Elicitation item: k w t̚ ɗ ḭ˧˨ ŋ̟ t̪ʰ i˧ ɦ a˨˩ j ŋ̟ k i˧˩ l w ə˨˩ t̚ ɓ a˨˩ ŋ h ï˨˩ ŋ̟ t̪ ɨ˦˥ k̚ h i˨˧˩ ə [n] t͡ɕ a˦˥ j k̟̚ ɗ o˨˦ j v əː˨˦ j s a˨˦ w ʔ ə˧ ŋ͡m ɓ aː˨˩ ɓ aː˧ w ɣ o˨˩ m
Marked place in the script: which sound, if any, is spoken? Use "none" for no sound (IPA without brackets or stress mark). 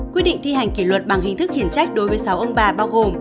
n